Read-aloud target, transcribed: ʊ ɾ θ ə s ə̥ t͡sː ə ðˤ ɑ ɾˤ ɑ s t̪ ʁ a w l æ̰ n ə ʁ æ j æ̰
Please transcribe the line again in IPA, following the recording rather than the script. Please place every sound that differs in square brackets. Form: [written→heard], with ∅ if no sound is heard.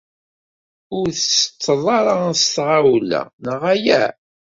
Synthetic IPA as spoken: ʊ ɾ θ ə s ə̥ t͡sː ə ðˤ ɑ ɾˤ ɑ s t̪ ʁ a w l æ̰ n ə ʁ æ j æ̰